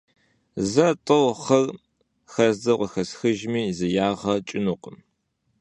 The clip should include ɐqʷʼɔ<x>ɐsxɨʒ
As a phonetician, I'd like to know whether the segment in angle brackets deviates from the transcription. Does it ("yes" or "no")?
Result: no